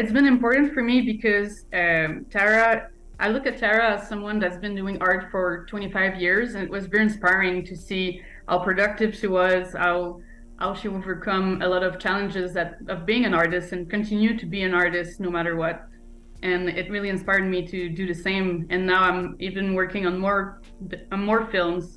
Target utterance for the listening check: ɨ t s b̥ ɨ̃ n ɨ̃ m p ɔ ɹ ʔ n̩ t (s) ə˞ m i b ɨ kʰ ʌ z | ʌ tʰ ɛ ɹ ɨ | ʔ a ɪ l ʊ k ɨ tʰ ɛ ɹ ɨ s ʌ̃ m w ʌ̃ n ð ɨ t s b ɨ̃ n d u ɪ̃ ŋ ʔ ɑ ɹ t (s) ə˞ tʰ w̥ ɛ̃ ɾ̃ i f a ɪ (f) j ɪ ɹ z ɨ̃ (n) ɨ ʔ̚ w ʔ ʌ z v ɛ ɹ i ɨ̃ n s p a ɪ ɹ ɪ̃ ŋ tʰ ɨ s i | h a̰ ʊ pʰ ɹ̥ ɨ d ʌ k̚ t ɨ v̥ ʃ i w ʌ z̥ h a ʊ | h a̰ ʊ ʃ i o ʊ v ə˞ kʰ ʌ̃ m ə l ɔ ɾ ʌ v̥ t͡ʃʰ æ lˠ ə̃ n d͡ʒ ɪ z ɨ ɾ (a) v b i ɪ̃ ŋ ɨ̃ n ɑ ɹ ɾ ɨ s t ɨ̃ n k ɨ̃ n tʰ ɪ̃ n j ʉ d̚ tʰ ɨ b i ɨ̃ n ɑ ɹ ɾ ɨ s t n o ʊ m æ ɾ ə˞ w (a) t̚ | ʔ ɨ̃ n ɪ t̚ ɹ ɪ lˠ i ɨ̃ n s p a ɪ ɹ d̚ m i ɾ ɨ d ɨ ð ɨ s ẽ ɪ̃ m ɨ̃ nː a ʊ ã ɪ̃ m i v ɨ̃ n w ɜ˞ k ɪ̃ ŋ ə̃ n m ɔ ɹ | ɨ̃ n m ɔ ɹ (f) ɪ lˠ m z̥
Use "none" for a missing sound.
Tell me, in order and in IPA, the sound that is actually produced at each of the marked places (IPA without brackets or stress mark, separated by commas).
f, f, v, n, ʌ, ʌ, f